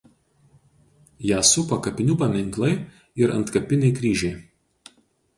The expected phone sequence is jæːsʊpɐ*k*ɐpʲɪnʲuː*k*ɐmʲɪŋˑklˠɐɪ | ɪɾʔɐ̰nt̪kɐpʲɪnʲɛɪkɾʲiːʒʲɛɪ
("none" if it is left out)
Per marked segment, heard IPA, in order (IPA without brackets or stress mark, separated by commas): k, p